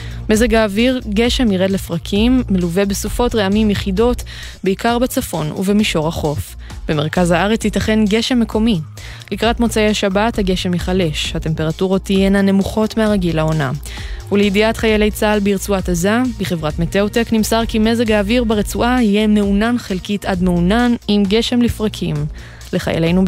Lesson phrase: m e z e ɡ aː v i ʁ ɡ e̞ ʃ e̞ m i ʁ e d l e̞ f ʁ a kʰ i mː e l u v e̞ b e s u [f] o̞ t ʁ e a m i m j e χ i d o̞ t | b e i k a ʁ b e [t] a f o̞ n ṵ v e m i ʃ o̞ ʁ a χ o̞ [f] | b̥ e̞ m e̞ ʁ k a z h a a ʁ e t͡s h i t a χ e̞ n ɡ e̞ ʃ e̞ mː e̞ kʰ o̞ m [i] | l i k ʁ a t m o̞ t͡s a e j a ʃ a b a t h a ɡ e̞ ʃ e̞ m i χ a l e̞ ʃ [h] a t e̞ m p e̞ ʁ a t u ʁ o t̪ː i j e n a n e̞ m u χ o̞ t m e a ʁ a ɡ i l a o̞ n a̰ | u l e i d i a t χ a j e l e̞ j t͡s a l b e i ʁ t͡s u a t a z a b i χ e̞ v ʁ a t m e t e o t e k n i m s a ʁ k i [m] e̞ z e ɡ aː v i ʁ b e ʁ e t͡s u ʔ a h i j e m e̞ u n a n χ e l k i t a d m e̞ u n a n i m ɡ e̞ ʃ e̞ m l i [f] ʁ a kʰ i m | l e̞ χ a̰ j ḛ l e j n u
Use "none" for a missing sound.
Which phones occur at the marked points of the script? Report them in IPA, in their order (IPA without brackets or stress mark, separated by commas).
f, t͡s, f, i, h, m, f